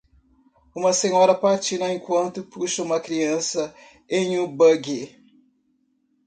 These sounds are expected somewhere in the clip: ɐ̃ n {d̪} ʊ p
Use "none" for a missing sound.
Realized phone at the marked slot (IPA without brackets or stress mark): t̪